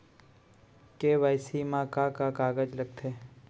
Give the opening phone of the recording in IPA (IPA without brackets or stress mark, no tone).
k